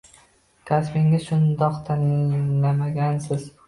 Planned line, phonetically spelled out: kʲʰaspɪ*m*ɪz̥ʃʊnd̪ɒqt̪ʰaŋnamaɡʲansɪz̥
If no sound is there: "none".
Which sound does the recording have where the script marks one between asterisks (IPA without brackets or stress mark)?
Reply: ŋ